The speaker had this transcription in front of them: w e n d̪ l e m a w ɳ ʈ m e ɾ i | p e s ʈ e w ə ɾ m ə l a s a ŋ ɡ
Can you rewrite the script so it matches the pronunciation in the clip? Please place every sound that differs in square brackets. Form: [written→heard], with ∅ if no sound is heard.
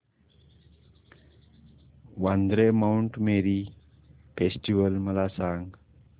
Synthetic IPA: w [e→a] n d̪ [l→ɾ] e m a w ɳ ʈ m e ɾ i | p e s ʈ [e→i] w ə [ɾ→l] m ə l a s a ŋ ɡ